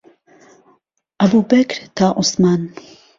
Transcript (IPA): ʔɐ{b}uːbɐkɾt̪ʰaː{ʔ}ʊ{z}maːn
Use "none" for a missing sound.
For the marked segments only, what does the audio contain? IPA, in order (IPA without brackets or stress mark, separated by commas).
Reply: b, ʔ, s